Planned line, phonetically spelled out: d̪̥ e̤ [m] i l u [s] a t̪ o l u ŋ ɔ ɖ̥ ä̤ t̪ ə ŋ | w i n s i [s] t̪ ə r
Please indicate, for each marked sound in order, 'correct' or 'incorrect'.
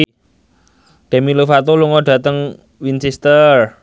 correct, incorrect: f, correct

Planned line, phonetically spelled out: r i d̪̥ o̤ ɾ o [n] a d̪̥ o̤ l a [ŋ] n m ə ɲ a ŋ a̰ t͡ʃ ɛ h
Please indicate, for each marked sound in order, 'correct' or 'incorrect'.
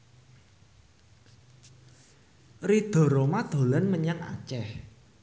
incorrect: m, incorrect: none

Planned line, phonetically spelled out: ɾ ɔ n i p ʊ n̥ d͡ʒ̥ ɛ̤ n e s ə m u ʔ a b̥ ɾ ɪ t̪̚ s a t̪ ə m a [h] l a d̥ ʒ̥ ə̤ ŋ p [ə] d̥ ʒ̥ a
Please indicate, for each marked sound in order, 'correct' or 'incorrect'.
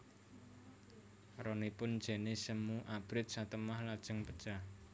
correct, correct

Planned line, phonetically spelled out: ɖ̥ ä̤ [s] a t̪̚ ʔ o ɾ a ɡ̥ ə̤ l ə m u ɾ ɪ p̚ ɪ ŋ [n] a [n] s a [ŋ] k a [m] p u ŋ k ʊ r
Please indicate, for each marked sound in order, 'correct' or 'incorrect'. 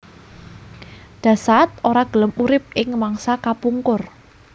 correct, incorrect: m, incorrect: ŋ, incorrect: none, incorrect: none

